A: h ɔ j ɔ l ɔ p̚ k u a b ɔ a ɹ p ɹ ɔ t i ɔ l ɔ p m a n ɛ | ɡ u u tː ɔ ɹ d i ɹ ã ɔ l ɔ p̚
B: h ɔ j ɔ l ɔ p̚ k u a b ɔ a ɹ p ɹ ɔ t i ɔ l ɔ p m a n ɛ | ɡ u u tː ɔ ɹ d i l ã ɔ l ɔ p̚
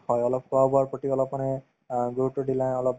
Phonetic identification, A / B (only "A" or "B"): B